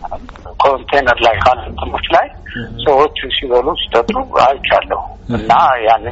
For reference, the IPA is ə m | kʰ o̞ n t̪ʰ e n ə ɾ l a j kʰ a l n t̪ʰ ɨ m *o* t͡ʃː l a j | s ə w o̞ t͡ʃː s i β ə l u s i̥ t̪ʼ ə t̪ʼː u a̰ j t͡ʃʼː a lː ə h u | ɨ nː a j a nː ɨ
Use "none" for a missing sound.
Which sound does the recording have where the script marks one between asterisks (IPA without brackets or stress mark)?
o